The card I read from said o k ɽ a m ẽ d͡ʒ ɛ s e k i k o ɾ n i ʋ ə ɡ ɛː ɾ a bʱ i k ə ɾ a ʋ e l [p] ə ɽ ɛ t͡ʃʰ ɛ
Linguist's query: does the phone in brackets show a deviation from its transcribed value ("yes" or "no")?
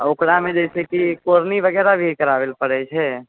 no